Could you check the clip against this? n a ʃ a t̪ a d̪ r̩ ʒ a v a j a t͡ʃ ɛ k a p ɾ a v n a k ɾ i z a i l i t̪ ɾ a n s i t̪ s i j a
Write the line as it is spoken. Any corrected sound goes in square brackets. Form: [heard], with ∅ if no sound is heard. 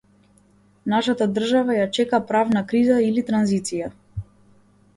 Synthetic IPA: n a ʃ a t̪ a d̪ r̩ ʒ a v a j a t͡ʃ ɛ k a p ɾ a v n a k ɾ i z a i l i t̪ ɾ a n [z] i t̪ s i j a